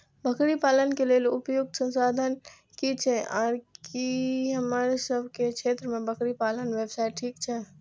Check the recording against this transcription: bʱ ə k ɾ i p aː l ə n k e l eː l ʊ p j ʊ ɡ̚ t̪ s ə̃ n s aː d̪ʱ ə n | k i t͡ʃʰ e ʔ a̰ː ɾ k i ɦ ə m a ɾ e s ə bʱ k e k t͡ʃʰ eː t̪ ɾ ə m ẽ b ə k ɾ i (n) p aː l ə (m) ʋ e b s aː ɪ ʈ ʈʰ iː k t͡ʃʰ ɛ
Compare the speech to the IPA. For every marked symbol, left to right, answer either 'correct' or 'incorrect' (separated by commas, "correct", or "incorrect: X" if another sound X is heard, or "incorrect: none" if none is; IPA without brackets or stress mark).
incorrect: none, incorrect: n